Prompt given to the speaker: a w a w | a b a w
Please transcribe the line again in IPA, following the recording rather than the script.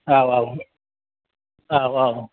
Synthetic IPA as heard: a w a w | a w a w

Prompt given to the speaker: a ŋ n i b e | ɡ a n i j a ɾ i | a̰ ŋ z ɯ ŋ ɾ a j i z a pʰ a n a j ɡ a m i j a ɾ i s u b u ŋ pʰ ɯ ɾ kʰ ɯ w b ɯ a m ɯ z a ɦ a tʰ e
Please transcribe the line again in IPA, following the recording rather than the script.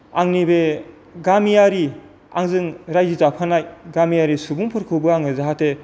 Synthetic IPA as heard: a ŋ n i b e | ɡ a m i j a ɾ i | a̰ ŋ z ɯ ŋ ɾ a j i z a pʰ a n a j ɡ a m i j a ɾ i s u b u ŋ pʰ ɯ ɾ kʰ ɯ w b ɯ a ŋ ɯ z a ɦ a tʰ e

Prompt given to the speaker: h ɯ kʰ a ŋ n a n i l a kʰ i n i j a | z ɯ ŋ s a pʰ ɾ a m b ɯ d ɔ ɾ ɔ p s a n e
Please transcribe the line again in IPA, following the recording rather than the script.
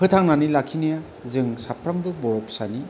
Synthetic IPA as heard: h ɯ tʰ a ŋ n a n i l a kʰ i n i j a | z ɯ ŋ s a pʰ ɾ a m b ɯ b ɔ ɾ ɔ p s a n i

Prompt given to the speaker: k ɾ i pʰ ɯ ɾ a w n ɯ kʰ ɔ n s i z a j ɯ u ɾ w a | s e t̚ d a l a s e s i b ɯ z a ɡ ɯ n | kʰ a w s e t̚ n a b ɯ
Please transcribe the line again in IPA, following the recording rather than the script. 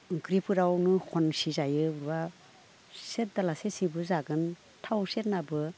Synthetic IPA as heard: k ɾ i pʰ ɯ ɾ a w n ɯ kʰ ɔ n s i z a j ɯ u ɾ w a | s e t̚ d a l a s e s i b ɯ z a ɡ ɯ n | tʰ a w s e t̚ n a b ɯ

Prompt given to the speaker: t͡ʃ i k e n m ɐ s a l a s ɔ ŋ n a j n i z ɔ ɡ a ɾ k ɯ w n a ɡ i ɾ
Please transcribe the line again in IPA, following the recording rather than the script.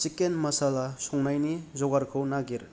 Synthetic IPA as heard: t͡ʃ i k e n m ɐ s a l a s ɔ ŋ n a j n i z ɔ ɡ a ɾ kʰ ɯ w n a ɡ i ɾ

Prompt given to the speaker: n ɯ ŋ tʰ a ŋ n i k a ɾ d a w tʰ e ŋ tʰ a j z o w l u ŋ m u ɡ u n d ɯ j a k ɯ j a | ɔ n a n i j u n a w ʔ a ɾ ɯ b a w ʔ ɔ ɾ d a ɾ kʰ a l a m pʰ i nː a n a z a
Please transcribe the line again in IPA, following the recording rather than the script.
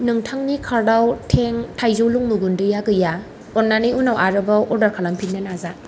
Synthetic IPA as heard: n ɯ ŋ tʰ a ŋ n i kʰ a ɾ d a w tʰ e ŋ tʰ a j z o w l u ŋ m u ɡ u n d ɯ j a ɡ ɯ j a | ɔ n a n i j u n a w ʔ a ɾ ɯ b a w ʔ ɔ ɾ d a ɾ kʰ a l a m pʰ i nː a n a z a

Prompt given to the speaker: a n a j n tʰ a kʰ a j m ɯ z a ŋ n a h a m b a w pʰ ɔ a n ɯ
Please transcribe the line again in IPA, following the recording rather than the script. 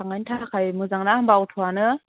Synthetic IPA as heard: a ŋ a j n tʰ a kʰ a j m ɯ z a ŋ n a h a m b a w tʰ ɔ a n ɯ

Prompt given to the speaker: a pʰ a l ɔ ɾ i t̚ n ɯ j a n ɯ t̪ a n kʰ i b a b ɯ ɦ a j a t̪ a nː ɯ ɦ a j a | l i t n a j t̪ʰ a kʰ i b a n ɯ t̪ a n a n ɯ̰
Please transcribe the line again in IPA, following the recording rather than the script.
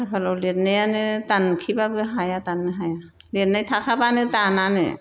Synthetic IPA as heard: a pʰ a l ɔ l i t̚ n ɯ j a n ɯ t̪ a n kʰ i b a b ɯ ɦ a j a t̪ a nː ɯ ɦ a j a | l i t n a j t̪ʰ a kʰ a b a n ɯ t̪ a n a n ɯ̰

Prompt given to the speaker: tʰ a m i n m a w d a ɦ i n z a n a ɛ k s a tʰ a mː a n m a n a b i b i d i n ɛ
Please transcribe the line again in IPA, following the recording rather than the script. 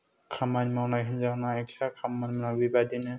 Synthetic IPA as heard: kʰ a m a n m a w n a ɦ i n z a n a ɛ k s a kʰ a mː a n m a n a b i b a d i n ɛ

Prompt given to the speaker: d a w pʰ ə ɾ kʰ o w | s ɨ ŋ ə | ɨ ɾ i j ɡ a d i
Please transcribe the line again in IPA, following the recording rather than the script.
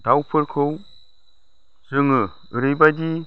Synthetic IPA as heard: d a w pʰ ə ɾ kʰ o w | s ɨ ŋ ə | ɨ ɾ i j b a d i

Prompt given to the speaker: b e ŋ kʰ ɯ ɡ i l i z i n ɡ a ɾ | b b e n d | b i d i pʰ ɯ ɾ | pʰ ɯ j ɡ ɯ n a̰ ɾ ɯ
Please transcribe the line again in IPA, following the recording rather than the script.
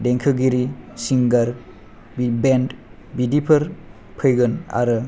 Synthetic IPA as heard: d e ŋ kʰ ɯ ɡ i ɾ i s i ŋ ɡ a ɾ | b b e n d | b i d i pʰ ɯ ɾ | pʰ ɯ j ɡ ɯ n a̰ ɾ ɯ

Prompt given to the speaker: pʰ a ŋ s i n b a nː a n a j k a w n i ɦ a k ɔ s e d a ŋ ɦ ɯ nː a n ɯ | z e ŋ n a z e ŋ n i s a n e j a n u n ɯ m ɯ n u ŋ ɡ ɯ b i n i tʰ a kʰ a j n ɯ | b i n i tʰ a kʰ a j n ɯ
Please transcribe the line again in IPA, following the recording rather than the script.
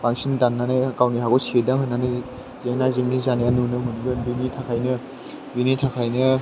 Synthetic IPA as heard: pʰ a ŋ s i n d a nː a n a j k a w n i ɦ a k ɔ s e d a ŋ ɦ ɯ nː a n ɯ | z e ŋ n a z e ŋ n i z a n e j a n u n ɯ m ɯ n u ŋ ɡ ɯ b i n i tʰ a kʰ a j n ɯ | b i n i tʰ a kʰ a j n ɯ

